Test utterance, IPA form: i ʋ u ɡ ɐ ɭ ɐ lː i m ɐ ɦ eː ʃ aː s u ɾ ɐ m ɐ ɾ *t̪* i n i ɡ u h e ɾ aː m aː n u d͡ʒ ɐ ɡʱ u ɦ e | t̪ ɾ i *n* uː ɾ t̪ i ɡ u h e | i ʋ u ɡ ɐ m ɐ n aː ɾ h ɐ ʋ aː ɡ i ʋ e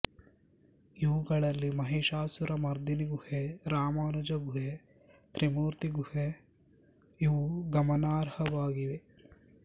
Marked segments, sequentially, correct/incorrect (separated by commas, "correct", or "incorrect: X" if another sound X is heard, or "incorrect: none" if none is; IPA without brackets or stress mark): incorrect: d̪, incorrect: m